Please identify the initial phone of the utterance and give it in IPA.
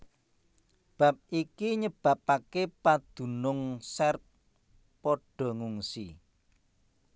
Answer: b̥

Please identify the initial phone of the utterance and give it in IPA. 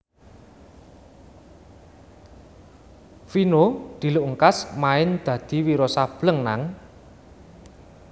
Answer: f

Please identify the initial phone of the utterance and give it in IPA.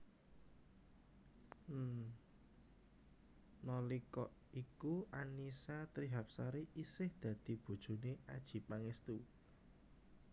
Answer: n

